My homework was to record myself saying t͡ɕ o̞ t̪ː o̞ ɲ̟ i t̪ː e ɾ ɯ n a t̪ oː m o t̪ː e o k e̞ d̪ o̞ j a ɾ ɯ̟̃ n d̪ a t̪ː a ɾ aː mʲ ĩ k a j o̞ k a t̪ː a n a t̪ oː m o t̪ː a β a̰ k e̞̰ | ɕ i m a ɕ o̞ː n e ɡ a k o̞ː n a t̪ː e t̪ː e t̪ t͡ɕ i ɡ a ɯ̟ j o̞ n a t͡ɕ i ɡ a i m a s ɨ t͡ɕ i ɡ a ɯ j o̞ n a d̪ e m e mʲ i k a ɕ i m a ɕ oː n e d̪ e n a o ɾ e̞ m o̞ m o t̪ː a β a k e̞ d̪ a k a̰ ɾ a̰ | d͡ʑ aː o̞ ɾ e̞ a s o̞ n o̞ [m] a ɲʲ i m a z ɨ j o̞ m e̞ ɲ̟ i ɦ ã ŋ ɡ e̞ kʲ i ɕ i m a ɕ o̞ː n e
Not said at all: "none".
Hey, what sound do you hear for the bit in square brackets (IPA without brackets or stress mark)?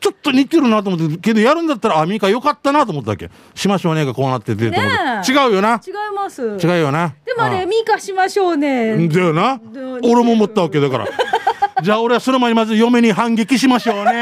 m